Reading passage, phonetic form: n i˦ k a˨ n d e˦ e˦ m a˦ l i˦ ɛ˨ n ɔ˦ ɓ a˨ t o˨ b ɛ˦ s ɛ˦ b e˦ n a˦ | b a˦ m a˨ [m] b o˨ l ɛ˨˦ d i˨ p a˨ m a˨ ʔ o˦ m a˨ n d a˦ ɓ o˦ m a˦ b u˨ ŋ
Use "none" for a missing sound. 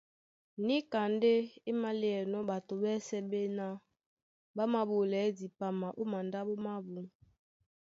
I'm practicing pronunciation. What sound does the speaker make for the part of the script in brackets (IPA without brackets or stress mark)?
none